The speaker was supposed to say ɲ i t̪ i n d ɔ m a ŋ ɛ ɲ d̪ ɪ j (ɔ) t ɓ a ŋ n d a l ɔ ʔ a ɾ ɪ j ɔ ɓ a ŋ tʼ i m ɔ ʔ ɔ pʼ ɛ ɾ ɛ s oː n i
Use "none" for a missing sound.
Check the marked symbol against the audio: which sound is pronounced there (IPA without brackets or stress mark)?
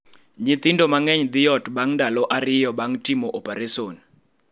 ɔ